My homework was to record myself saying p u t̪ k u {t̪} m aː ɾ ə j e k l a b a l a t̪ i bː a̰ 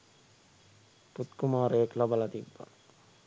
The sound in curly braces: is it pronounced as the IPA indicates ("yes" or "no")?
no